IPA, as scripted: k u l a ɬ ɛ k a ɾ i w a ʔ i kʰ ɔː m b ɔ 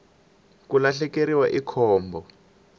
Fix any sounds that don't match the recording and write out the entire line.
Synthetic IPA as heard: k u l a ɬ ɛ k e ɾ i w a ʔ i kʰ ɔː m b ɔ

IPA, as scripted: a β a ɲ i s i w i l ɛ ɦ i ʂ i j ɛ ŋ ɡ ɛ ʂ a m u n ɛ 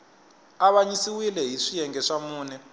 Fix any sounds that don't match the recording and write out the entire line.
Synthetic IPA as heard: a β a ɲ i s i w i l ɛ ɦ i ʂ i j ɛ ŋ ɡ ɛ ʂ a m uː n ɛ

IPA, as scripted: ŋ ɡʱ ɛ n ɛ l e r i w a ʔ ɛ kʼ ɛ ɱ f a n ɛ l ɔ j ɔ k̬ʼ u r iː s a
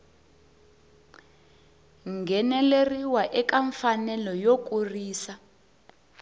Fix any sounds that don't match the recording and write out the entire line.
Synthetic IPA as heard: ŋ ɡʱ ɛ n ɛ l e r i w a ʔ ɛ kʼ a ɱ f a n ɛ l ɔ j o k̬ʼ u r iː s a

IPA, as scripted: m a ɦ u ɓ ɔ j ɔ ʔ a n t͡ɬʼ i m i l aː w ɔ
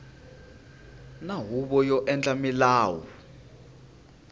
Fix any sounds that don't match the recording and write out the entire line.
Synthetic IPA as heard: n a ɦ u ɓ ɔ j ɔ ʔ ɛ n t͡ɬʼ a m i l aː w ɔ

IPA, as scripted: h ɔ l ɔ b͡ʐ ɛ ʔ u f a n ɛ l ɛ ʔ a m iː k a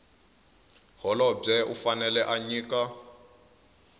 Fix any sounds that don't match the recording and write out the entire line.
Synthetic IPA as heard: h ɔ l ɔ b͡ʐ ɛ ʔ u f a n ɛ l ɛ ʔ a ɲ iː k a

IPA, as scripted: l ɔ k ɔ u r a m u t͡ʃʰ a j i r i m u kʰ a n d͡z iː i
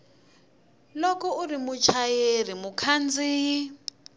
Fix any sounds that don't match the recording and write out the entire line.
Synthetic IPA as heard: l ɔ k ɔ u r i m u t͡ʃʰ a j e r i m u kʰ a n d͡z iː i

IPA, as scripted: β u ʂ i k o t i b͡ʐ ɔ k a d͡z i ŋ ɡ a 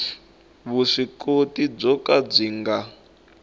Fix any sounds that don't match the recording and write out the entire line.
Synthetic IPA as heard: β u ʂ i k o t i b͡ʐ ɔ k a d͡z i ŋ ɡ a

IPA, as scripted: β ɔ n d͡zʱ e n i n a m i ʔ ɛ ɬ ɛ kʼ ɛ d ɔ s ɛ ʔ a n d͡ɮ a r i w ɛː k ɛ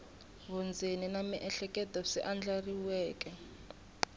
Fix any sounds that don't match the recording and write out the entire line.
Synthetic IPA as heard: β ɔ n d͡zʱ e n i n a m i ʔ ɛ ɬ ɛ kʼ ɛ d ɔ s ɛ ʔ a n d͡ɮ a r i w ɛː k ɛ

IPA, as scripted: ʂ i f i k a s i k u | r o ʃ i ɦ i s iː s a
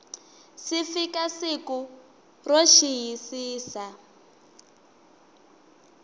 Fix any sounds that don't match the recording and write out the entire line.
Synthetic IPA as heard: s i f i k a s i k u | r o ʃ i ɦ i s iː s a

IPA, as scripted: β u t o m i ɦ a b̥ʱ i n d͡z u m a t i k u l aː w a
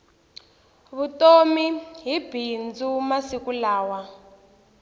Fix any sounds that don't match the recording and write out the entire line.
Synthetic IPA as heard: β u t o m i ɦ i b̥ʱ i n d͡z u m a s i k u l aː w a

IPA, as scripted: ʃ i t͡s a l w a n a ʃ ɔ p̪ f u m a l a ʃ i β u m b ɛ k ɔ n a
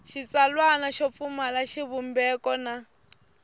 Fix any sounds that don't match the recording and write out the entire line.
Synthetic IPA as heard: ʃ i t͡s a l w a n a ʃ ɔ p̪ f u m a l a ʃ i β u m b ɛ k ɔ n a

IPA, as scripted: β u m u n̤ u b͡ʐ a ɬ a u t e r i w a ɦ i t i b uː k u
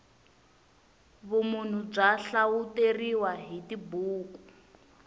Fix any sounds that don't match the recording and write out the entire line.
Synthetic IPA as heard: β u m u n̤ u b͡ʐ a ɬ a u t e r i w a ɦ i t i b uː k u

